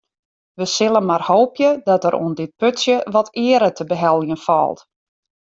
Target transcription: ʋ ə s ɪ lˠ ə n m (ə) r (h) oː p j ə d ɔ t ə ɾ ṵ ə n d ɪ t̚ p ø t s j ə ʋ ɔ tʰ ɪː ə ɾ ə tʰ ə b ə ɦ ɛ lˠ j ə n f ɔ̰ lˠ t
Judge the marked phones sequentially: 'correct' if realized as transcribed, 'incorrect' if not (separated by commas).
incorrect, correct